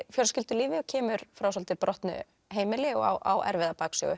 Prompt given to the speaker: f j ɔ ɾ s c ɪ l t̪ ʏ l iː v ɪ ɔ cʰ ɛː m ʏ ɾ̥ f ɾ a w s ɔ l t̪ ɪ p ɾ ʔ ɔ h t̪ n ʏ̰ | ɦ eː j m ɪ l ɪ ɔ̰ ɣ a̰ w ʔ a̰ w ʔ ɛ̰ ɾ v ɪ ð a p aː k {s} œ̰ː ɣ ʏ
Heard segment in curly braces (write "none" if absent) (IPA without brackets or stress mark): s